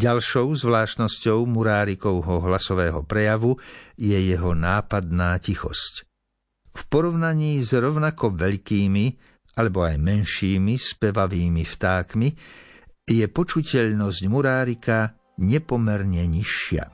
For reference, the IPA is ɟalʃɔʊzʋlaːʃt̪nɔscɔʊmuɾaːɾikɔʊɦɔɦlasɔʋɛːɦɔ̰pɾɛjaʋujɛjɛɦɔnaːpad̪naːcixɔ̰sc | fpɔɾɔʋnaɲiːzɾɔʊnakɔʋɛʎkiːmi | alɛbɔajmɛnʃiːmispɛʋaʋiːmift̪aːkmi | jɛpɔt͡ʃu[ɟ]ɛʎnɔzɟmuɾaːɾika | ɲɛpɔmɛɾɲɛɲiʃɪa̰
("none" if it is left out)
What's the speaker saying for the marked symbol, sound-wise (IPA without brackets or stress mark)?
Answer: c